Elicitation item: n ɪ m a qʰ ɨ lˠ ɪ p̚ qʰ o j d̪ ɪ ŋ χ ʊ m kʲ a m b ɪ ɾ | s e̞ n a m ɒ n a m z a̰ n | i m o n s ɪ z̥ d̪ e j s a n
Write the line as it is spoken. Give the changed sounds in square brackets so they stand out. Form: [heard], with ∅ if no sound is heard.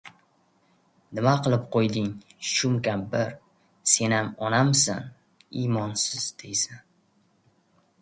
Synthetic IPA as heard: n ɪ m a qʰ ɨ lˠ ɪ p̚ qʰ o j d̪ ɪ ŋ [ʃ] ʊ m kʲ a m b ɪ ɾ | s e̞ n a m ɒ n a m [s] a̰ n | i m [ɒ] n s ɪ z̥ d̪ e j s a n